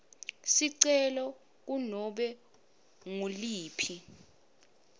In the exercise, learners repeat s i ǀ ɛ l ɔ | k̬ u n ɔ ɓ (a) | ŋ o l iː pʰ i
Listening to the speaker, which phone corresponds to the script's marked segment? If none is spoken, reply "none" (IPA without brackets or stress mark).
ɛ